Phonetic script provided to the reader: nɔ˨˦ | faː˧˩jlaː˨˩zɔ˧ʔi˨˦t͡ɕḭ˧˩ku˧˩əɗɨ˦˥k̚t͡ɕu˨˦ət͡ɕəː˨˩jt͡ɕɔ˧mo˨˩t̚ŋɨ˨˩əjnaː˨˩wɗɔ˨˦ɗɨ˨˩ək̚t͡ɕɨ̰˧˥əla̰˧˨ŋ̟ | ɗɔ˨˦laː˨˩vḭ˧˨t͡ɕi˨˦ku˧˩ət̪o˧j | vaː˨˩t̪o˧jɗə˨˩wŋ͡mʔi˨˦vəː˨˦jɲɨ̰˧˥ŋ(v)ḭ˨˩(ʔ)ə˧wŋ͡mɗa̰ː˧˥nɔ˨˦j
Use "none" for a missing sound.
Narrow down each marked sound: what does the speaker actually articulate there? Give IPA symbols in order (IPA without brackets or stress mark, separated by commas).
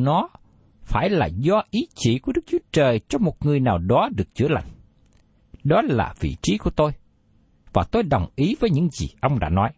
z, ʔ